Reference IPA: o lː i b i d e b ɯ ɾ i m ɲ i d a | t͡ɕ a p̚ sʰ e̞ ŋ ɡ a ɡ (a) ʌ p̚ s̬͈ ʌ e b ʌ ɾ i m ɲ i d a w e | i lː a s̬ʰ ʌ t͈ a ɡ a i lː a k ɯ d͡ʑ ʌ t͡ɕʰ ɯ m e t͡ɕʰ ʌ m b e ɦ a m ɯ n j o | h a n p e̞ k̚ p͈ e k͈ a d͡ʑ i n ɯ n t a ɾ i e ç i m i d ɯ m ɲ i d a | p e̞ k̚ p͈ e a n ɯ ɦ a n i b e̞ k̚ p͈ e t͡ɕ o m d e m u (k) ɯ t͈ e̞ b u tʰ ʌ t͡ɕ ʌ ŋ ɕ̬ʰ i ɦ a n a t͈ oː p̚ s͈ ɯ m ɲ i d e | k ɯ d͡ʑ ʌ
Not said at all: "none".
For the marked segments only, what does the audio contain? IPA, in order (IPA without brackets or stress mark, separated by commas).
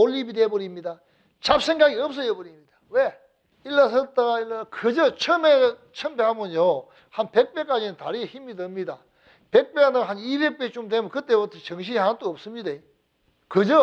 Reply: i, k